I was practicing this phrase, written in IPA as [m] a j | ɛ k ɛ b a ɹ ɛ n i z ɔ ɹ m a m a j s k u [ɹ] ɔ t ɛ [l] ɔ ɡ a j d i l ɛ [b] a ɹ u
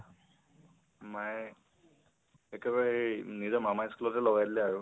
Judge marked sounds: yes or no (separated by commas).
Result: yes, no, yes, no